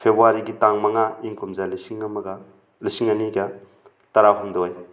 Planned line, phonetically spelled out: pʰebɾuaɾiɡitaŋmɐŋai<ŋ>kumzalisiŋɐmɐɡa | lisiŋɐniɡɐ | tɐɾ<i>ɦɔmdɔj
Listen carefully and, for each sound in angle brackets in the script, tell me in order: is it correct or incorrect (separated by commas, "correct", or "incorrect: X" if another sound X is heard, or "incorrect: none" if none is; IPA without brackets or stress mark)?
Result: correct, incorrect: a